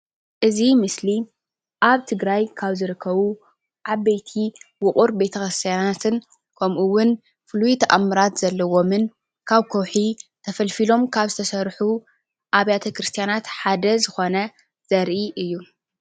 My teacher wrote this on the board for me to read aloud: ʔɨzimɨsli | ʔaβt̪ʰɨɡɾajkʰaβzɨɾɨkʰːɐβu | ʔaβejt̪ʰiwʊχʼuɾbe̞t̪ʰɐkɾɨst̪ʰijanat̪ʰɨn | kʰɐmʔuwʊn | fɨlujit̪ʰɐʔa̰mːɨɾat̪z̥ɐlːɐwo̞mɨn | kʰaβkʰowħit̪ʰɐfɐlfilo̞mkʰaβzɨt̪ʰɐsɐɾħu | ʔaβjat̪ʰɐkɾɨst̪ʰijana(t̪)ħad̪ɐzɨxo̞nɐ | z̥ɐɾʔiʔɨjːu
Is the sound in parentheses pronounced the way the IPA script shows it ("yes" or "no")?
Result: yes